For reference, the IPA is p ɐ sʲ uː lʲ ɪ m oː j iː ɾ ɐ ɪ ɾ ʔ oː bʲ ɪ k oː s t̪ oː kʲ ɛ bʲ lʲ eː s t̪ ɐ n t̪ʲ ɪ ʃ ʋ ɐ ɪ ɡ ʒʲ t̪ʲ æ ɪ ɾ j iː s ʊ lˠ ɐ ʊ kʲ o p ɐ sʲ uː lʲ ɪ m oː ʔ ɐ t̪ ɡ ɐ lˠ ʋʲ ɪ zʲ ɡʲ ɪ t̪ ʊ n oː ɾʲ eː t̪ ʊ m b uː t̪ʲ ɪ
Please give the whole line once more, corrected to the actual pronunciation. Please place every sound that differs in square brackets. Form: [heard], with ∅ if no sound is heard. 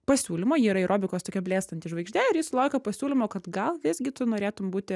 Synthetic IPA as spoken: p ɐ sʲ uː lʲ ɪ m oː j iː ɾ ɐ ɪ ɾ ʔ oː bʲ ɪ k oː s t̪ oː kʲ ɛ bʲ lʲ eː s t̪ ɐ n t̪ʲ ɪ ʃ ʋ ɐ ɪ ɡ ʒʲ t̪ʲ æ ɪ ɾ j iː s ʊ lˠ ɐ ʊ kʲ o p ɐ sʲ uː lʲ ɪ m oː [k] ɐ t̪ ɡ ɐ lˠ ʋʲ ɪ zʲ ɡʲ ɪ t̪ ʊ n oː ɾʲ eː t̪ ʊ m b uː t̪ʲ ɪ